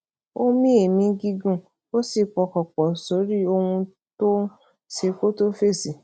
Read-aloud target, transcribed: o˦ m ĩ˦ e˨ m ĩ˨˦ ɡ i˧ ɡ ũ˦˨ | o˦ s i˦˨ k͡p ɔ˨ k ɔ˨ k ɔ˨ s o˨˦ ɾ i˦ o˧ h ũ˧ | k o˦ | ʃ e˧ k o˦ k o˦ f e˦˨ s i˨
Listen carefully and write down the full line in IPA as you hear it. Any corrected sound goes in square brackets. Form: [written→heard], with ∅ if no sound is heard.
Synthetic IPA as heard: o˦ m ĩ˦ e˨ m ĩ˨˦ ɡ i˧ ɡ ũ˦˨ | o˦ s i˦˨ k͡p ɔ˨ k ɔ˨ [k→k͡p] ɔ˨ s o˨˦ ɾ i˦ o˧ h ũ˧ | [k→t] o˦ | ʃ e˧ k o˦ [k→t] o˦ f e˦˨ s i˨